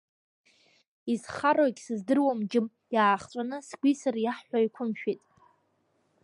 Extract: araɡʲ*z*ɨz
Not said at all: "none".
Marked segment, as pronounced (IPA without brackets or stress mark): s